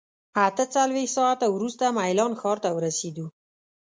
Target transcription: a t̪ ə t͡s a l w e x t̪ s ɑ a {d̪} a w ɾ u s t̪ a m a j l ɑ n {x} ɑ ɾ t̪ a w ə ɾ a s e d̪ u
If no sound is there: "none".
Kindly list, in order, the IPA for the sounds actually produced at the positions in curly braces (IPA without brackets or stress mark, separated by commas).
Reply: t̪, x